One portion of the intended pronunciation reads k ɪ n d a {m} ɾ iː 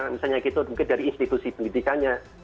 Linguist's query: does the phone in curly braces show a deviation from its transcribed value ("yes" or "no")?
yes